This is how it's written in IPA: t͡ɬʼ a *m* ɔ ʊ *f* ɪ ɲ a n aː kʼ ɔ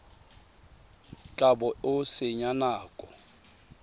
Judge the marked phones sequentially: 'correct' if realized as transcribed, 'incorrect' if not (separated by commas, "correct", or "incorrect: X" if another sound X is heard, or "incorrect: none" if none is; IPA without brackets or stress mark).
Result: incorrect: b, incorrect: s